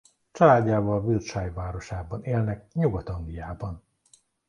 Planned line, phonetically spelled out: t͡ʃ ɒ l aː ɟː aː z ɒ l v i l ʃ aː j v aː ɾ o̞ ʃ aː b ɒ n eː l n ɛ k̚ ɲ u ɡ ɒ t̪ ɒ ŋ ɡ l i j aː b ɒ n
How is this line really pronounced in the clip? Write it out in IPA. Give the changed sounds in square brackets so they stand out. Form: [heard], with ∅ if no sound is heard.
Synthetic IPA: t͡ʃ ɒ l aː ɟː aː [v] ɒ l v i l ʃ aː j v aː ɾ o̞ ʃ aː b ɒ n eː l n ɛ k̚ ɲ u ɡ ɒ t̪ ɒ ŋ ɡ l i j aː b ɒ n